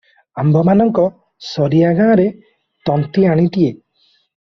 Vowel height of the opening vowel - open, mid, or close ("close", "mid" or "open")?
open